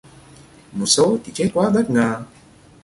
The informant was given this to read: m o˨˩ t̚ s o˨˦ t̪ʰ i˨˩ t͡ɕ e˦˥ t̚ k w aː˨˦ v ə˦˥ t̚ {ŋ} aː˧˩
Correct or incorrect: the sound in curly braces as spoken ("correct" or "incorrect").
correct